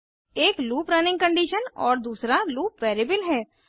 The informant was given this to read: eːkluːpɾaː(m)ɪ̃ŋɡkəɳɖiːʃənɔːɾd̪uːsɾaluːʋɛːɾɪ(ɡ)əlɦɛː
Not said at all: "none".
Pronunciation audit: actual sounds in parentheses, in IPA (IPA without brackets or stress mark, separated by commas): n, b